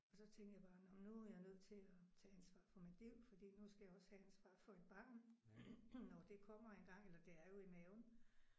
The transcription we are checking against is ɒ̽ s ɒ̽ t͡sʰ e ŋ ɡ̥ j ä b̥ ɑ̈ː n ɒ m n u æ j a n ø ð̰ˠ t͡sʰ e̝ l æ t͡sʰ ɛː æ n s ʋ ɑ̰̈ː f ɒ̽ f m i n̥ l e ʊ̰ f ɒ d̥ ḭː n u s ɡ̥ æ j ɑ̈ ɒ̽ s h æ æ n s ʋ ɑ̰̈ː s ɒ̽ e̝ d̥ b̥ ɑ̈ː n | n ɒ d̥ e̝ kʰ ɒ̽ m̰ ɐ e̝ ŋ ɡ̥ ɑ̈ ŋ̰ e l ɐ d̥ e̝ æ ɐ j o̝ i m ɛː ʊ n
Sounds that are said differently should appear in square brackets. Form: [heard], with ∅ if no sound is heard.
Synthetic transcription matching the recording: ɒ̽ s ɒ̽ t͡sʰ e ŋ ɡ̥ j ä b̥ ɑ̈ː n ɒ m n u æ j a n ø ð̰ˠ t͡sʰ e̝ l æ t͡sʰ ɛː æ n s ʋ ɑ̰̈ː f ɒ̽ [∅] m i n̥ l [i] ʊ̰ f ɒ d̥ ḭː n u s ɡ̥ æ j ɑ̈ ɒ̽ s h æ æ n s ʋ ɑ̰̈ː [f] ɒ̽ e̝ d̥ b̥ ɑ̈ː n | n ɒ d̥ e̝ kʰ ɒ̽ m̰ ɐ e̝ [n] ɡ̥ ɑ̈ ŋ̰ e l ɐ d̥ e̝ æ ɐ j o̝ i m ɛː ʊ n